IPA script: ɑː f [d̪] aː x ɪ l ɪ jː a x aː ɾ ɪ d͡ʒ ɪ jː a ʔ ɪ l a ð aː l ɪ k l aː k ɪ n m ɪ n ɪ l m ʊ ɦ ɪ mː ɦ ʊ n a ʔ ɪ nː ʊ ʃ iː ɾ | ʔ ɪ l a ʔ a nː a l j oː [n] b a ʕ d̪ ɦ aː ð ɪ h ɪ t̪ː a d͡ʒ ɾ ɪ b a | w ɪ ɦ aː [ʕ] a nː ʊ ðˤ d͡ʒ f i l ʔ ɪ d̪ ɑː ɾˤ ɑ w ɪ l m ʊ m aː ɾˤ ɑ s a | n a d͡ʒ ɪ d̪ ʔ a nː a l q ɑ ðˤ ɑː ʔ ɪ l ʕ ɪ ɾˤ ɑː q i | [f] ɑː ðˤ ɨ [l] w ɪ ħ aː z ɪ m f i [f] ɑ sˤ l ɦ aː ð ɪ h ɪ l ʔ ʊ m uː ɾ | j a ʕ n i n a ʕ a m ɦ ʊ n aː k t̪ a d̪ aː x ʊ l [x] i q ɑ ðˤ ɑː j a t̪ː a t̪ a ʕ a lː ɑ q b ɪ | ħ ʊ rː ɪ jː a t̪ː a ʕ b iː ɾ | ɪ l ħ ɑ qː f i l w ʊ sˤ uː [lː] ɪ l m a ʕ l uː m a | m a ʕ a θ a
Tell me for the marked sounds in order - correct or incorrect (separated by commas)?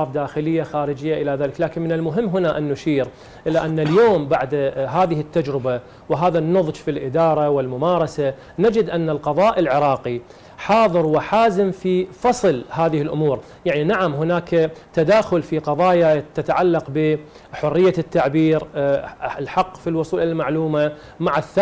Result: correct, incorrect, incorrect, incorrect, incorrect, correct, incorrect, incorrect